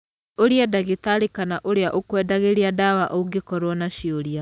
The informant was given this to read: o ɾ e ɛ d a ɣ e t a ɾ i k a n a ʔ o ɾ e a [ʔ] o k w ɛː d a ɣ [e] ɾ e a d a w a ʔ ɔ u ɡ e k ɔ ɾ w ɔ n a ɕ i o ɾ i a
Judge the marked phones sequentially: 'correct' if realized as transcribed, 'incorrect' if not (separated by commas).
correct, correct